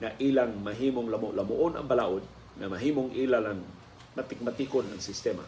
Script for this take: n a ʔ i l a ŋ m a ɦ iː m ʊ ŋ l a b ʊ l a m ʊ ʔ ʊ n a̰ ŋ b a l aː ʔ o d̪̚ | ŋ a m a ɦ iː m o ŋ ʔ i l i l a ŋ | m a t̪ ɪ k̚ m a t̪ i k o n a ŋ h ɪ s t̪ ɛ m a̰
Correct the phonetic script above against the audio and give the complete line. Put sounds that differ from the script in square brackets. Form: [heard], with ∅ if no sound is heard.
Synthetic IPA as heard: [ŋ] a ʔ i l a ŋ m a ɦ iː m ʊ ŋ l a [m] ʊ l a m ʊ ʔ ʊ n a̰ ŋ b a l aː ʔ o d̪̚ | ŋ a m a ɦ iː m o ŋ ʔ i l [a] l a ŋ | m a t̪ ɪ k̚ m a t̪ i k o n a ŋ [s] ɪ s t̪ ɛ m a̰